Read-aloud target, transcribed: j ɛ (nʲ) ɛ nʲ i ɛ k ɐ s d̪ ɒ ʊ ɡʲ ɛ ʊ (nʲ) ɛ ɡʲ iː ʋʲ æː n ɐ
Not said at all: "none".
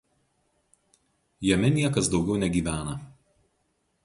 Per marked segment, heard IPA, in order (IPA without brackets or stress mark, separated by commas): mʲ, nʲ